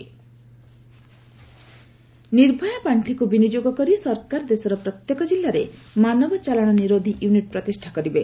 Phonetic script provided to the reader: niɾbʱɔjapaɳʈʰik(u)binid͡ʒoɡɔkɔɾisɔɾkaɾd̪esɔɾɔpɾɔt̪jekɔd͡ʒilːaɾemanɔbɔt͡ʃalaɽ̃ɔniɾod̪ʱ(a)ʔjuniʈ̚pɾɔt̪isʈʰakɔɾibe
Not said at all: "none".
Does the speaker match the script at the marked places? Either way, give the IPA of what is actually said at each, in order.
u, i

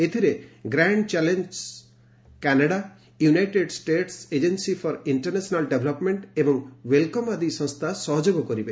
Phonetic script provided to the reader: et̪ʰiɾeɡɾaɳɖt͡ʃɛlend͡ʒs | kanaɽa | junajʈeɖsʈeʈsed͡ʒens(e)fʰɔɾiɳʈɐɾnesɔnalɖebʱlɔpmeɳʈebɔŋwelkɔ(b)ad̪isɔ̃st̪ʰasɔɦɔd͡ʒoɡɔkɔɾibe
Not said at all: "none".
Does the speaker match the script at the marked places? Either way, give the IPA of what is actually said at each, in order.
i, m

